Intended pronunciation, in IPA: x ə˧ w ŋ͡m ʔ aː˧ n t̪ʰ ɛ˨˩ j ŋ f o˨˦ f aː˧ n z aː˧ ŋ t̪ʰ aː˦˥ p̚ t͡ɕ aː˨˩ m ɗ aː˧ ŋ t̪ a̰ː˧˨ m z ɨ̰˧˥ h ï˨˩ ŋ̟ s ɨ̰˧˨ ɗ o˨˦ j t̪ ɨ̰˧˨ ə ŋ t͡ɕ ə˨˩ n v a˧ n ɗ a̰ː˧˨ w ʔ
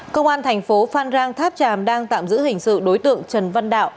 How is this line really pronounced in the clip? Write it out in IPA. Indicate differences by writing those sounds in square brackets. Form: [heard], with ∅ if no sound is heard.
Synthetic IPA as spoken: [k] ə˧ w ŋ͡m ʔ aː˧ n t̪ʰ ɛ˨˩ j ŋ f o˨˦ f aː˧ n z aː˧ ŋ t̪ʰ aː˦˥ p̚ t͡ɕ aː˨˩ m ɗ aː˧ ŋ t̪ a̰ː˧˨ m z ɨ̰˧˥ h ï˨˩ ŋ̟ s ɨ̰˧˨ ɗ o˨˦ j t̪ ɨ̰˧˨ ə ŋ t͡ɕ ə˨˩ n v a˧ n ɗ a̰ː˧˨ w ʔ